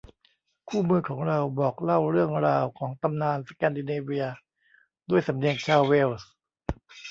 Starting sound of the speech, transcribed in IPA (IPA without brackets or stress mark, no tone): kʰ